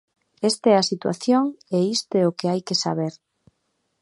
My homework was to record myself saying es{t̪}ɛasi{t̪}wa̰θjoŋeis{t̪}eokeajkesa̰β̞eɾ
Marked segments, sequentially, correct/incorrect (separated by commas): correct, correct, correct